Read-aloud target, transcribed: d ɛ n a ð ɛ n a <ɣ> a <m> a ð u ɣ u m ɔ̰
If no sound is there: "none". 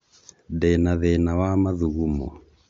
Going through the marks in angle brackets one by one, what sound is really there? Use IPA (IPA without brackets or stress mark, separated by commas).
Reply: w, m